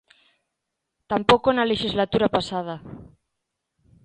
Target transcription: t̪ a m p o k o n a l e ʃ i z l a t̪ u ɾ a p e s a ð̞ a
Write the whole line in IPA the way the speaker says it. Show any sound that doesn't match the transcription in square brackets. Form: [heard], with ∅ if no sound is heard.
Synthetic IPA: t̪ a m p o k o n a l e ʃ i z l a t̪ u ɾ a p [a] s a ð̞ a